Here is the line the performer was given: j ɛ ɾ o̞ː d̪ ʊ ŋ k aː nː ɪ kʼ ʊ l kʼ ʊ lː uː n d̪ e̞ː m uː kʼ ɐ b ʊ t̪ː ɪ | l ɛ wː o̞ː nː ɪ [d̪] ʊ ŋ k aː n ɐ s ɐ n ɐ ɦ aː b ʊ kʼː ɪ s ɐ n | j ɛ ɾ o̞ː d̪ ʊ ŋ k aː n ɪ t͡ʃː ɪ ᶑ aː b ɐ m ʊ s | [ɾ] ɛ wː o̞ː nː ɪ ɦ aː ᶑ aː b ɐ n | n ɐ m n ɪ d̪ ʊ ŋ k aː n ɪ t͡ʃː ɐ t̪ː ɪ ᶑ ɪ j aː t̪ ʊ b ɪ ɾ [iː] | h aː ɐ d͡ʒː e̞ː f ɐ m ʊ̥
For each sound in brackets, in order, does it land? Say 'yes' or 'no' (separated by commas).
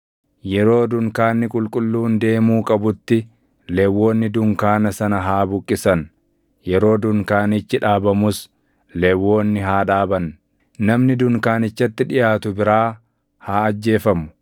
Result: yes, no, no